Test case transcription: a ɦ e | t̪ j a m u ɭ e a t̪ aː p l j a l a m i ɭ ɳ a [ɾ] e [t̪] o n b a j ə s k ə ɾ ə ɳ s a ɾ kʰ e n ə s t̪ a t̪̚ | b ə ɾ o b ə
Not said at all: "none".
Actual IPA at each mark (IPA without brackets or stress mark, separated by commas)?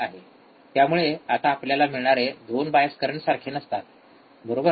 ɾ, d̪